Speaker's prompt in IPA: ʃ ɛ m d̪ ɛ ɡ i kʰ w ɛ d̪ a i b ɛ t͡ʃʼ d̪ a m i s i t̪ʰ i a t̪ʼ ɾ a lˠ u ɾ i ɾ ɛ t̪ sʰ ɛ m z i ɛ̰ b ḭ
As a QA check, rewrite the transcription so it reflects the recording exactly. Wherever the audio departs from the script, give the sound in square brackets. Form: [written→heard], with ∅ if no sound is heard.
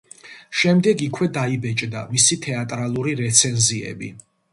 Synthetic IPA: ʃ ɛ m d̪ ɛ ɡ i kʰ w ɛ d̪ a i b ɛ t͡ʃʼ d̪ a m i s i t̪ʰ [i→ɛ] a t̪ʼ ɾ a lˠ u ɾ i ɾ ɛ t̪ sʰ ɛ [m→n] z i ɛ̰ b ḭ